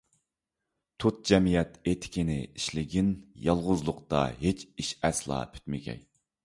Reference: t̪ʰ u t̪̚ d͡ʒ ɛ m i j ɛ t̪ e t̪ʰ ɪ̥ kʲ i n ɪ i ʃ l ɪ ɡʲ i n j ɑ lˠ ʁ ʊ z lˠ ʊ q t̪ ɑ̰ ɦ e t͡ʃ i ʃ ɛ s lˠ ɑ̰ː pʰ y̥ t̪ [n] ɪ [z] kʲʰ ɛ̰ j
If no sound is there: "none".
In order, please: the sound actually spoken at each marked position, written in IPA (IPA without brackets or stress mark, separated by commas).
m, none